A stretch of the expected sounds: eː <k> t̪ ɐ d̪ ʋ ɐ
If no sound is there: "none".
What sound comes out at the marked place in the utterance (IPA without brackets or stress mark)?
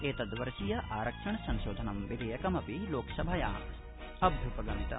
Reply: none